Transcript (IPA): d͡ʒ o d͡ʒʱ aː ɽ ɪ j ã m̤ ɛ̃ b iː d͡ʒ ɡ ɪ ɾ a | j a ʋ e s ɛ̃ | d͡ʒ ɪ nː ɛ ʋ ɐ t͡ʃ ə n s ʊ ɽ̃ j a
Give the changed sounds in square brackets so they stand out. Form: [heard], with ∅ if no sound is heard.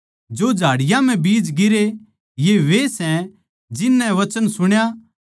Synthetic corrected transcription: d͡ʒ o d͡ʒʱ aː ɽ ɪ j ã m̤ ɛ̃ b iː d͡ʒ ɡ ɪ ɾ [e] | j [e] ʋ e s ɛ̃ | d͡ʒ ɪ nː ɛ ʋ ɐ t͡ʃ ə n s ʊ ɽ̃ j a